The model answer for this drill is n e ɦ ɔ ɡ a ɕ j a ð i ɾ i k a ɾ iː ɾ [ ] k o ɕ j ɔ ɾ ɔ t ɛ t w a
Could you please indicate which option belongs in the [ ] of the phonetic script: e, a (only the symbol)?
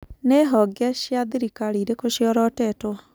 e